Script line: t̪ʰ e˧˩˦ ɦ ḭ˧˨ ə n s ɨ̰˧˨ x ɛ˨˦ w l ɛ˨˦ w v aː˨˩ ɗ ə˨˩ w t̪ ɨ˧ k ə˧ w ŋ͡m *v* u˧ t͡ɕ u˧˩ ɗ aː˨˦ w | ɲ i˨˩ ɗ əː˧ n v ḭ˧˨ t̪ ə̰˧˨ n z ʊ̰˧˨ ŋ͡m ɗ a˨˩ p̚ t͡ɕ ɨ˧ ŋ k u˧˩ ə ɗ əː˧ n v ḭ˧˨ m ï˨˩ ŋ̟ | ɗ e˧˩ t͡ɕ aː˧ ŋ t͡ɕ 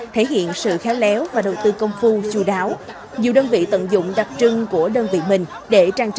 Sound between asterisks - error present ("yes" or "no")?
yes